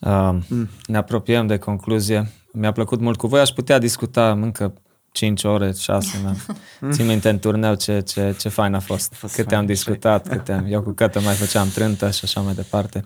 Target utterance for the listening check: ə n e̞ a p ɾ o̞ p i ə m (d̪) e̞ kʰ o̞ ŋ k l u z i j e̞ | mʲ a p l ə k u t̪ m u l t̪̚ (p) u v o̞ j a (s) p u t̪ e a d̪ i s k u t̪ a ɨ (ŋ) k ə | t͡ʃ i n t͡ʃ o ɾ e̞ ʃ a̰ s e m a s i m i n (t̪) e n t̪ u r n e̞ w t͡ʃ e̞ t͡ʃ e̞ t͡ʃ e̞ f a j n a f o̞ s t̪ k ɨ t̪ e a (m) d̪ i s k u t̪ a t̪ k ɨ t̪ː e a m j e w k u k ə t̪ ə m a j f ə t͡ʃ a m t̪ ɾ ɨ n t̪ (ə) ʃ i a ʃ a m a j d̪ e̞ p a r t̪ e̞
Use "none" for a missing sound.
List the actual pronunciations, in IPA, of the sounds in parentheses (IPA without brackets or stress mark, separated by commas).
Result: d̪, k, ʃ, ŋ, t̪, m, ə